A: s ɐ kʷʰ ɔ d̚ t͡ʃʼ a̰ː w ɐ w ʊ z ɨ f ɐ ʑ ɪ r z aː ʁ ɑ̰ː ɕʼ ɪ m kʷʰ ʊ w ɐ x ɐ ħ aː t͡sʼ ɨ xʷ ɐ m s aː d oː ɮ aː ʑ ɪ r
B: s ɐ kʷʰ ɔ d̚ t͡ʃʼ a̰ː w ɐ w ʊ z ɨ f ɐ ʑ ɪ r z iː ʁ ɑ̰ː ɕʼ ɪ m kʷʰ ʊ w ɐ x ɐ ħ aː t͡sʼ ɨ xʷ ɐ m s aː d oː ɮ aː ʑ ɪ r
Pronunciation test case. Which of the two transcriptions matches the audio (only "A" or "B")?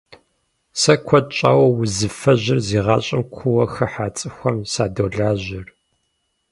B